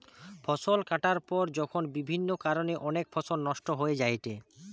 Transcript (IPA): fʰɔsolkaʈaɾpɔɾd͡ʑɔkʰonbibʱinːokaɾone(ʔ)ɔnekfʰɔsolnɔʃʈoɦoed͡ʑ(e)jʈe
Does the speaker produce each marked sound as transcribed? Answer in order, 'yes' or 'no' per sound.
yes, no

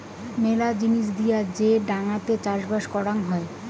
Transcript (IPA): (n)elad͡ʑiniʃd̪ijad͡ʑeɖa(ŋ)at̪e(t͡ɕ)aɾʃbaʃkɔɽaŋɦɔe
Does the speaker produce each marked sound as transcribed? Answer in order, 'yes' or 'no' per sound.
no, yes, yes

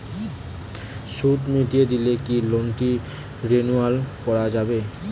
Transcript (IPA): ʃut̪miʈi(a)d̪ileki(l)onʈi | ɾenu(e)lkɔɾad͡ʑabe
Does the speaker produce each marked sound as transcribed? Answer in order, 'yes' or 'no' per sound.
no, yes, no

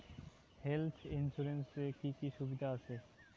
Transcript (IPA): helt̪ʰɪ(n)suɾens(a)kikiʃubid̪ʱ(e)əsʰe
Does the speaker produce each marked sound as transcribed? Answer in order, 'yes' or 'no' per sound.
yes, no, no

